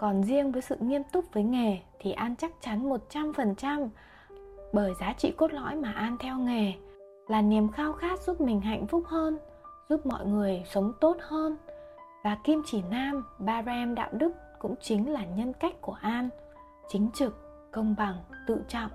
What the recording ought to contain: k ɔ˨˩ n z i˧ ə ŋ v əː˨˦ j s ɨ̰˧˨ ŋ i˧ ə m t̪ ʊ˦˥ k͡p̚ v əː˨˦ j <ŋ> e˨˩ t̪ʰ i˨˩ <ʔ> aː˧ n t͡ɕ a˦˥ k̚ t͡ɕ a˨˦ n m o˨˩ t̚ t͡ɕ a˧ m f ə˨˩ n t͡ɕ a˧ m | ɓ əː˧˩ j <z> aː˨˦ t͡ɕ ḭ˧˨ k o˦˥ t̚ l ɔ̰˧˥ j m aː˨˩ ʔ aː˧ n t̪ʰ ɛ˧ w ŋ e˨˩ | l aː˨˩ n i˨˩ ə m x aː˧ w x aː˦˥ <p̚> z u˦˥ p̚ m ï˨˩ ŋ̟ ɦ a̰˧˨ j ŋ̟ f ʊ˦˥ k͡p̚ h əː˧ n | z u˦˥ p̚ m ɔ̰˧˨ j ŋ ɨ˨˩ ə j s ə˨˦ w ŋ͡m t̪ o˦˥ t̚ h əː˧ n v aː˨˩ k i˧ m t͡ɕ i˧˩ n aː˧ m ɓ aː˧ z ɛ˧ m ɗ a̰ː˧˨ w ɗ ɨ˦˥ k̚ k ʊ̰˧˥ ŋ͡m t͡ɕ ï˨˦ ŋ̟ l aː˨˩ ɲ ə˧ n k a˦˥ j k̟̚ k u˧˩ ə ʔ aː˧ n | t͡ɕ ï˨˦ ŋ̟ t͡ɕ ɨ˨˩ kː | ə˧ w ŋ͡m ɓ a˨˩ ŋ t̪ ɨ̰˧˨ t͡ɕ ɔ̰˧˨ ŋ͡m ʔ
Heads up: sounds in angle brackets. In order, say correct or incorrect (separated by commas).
correct, correct, correct, incorrect